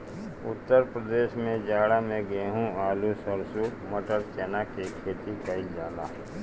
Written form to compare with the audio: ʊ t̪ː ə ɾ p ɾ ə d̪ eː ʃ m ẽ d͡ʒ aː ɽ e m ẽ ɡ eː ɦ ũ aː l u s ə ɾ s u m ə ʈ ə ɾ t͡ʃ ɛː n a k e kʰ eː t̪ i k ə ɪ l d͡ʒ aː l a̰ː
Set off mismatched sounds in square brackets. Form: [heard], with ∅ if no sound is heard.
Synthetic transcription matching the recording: ʊ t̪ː ə ɾ p ɾ ə d̪ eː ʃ m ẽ d͡ʒ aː ɽ [a] m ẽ ɡ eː ɦ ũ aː l u s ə ɾ s u m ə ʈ ə ɾ t͡ʃ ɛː n a k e kʰ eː t̪ i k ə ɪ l d͡ʒ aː l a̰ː